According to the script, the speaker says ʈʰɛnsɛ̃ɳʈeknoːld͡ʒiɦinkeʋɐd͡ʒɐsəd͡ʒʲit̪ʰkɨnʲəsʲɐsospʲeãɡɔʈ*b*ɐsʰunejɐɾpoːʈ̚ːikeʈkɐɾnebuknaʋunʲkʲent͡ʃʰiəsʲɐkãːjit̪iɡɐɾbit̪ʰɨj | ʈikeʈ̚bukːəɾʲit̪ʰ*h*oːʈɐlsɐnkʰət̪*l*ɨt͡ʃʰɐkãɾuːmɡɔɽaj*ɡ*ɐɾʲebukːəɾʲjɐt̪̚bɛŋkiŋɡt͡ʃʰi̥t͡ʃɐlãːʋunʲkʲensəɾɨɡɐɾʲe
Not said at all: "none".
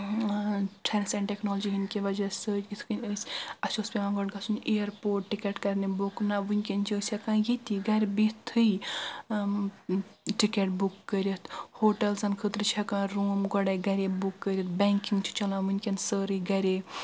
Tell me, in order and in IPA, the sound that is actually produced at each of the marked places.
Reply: ɡ, h, ɾ, ɡ

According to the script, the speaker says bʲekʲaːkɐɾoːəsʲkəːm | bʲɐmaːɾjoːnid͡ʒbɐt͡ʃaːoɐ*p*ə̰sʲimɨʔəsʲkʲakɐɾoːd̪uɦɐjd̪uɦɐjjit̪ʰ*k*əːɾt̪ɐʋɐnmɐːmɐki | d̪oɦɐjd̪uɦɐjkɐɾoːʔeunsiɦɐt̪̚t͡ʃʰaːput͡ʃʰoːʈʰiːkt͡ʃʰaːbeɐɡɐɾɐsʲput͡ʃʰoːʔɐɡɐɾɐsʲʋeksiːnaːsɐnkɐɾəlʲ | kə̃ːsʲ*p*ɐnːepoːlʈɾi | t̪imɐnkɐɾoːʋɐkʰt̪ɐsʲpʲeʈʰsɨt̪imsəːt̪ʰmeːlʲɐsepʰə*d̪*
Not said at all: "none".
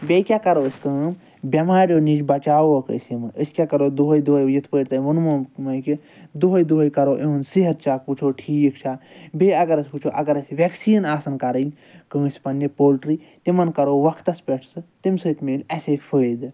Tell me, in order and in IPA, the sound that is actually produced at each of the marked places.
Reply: k, p, p, d̪

